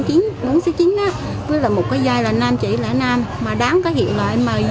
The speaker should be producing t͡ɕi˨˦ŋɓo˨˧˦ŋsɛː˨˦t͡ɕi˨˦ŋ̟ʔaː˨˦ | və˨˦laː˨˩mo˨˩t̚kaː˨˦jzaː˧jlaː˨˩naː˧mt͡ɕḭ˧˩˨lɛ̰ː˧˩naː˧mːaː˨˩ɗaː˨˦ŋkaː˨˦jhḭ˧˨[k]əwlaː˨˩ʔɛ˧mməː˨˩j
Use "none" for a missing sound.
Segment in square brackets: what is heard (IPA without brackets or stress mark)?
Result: none